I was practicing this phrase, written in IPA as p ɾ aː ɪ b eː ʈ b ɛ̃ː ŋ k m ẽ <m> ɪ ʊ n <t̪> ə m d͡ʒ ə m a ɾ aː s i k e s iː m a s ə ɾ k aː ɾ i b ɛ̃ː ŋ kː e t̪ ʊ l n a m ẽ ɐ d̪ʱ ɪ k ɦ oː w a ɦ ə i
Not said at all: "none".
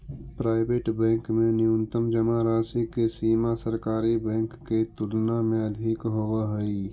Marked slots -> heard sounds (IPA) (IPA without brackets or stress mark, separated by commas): n, t̪